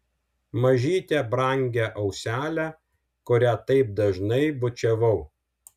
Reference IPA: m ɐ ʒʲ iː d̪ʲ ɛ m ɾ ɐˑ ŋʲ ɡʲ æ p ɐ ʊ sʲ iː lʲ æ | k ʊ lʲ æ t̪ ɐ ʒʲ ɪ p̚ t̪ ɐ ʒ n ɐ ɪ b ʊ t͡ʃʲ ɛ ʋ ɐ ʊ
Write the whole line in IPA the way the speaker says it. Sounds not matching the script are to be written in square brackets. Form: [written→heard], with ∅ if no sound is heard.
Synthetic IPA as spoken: m ɐ ʒʲ iː [d̪ʲ→t̪ʲ] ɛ [m→b] ɾ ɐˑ ŋʲ ɡʲ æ [p→ʔ] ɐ ʊ sʲ [iː→æː] lʲ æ | k ʊ [lʲ→ɾʲ] æ t̪ ɐ [ʒʲ→∅] ɪ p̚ [t̪→d̪] ɐ ʒ n ɐ ɪ b ʊ t͡ʃʲ ɛ ʋ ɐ ʊ